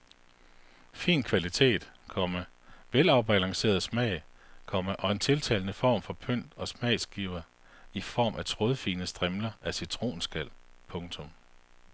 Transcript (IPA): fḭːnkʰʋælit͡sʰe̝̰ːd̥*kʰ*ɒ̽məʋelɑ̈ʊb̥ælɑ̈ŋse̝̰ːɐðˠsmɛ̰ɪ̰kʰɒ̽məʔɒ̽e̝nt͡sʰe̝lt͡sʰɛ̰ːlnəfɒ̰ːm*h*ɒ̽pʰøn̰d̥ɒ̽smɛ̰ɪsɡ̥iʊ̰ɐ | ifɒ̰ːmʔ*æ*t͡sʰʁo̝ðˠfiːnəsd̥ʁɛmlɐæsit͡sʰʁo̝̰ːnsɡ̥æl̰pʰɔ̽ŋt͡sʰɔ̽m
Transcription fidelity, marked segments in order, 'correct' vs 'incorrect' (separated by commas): correct, incorrect, correct